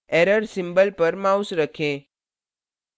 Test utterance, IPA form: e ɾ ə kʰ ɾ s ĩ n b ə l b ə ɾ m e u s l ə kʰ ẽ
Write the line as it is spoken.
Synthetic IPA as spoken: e ɾ ə ɾ s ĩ m b ə l p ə ɾ m a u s ɾ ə kʰ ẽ